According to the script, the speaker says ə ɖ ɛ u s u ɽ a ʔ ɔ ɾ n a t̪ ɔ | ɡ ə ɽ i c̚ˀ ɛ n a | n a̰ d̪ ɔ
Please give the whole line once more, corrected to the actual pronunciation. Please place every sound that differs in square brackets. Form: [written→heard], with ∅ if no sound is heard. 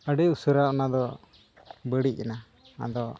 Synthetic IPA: ə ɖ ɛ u s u [ɽ→ɾ] a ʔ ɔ [ɾ→∅] n a [t̪→d̪] ɔ | [ɡ→b] ə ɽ i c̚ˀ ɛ n a | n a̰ d̪ ɔ